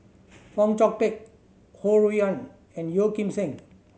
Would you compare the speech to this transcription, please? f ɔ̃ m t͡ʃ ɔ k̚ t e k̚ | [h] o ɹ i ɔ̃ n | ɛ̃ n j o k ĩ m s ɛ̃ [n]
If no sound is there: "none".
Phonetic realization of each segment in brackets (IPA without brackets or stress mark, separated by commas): h, ŋ